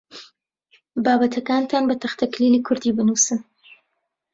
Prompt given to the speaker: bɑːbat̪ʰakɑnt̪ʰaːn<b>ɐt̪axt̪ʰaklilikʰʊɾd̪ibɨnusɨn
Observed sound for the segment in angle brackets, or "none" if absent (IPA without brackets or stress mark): b